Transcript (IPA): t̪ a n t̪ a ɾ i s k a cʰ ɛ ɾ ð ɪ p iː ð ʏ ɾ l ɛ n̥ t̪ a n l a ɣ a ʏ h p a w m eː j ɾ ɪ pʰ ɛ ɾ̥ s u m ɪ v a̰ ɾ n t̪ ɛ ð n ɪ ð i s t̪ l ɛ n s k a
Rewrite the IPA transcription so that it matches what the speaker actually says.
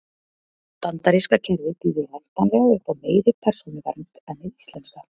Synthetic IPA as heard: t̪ a n t̪ a ɾ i s k a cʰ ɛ ɾ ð ɪ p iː ð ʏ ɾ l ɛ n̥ t̪ a n l ɛ ɣ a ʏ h p a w m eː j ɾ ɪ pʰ ɛ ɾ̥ s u n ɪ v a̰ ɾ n t̪ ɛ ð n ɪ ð i s t̪ l ɛ n s k a